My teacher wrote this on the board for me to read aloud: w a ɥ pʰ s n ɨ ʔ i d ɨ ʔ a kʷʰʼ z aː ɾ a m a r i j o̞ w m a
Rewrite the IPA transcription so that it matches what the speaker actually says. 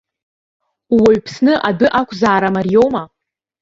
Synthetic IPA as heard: w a ɥ pʰ s n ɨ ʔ a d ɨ ʔ a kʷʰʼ z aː ɾ a m a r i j o̞ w m a